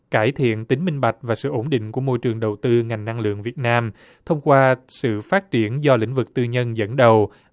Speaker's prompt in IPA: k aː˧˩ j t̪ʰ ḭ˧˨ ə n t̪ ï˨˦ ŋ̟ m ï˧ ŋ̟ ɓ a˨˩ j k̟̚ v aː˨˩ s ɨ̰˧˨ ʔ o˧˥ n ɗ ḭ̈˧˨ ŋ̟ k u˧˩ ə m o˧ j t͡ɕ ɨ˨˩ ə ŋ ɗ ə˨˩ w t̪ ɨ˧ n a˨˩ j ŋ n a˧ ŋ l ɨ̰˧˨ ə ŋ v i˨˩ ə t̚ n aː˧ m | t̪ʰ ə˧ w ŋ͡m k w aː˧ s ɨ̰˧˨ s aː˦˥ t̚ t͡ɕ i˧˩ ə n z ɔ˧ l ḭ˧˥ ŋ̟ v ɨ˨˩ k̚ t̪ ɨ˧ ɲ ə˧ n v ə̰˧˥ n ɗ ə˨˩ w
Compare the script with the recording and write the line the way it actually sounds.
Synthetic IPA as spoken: k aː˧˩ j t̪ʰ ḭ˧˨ ə n t̪ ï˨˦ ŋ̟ m ï˧ ŋ̟ ɓ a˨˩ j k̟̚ v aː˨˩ s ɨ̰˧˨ ʔ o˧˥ n ɗ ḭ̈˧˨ ŋ̟ k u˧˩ ə m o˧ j t͡ɕ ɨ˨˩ ə ŋ ɗ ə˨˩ w t̪ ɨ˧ ŋ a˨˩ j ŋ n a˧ ŋ l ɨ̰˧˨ ə ŋ v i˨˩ ə t̚ n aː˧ m | t̪ʰ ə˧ w ŋ͡m k w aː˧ s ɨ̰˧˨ f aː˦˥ t̚ t͡ɕ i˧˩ ə n z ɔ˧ l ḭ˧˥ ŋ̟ v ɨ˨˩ k̚ t̪ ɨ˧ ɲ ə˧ n z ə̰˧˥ n ɗ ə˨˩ w